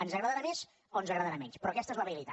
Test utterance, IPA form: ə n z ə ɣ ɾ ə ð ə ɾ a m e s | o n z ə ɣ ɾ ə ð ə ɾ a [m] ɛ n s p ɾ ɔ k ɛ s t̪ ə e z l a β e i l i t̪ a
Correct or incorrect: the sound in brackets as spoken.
correct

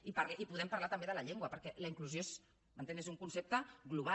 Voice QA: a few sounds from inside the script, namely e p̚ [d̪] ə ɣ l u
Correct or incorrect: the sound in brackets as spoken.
incorrect: t̪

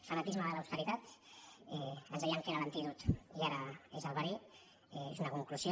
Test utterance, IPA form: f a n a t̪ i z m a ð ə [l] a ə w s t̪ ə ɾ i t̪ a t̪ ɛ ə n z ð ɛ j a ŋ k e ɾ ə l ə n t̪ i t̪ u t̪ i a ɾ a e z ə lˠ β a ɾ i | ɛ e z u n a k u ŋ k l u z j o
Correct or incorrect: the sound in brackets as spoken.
correct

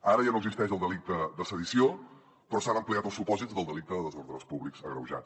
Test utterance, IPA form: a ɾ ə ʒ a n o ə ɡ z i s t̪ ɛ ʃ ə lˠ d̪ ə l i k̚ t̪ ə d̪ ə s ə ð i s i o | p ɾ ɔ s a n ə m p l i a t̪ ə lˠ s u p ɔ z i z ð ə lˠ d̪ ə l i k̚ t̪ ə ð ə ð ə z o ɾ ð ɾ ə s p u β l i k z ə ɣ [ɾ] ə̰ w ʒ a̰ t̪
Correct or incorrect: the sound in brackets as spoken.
correct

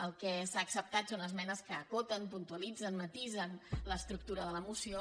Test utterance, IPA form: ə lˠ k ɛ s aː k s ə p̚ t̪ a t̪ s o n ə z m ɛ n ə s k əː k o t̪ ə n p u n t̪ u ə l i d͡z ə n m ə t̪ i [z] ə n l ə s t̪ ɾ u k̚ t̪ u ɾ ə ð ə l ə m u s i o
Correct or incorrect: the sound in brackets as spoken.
correct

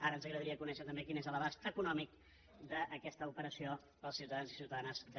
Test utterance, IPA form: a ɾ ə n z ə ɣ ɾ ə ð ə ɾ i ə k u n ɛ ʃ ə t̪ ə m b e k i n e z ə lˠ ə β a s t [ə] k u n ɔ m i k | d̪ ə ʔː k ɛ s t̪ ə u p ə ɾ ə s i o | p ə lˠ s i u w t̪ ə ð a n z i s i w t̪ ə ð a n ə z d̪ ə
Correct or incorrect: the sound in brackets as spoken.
correct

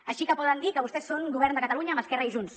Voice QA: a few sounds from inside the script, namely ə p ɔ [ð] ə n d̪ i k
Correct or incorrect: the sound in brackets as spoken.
correct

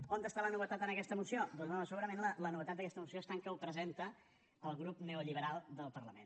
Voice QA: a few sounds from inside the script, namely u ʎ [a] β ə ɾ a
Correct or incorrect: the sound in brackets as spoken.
incorrect: i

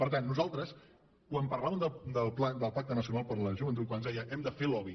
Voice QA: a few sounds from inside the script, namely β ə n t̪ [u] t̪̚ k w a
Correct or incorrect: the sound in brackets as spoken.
correct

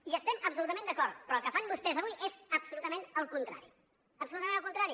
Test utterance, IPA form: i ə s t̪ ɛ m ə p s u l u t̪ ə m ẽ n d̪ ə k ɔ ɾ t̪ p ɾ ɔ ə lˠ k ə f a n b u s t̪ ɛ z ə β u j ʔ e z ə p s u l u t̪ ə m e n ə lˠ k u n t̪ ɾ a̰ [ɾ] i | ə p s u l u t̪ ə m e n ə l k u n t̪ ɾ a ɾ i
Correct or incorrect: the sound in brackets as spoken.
correct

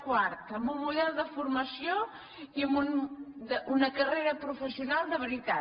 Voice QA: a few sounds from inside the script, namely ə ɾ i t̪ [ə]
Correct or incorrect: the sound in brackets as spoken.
incorrect: a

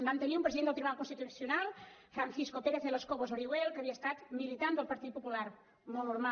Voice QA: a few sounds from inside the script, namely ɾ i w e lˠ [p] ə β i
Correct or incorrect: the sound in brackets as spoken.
incorrect: k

